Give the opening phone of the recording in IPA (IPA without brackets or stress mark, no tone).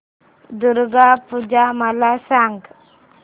d̪